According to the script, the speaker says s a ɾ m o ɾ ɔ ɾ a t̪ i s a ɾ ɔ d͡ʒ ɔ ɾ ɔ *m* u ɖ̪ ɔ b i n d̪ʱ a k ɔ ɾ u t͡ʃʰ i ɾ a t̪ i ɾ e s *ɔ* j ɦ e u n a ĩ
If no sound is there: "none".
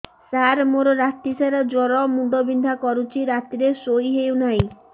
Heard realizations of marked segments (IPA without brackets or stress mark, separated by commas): m, o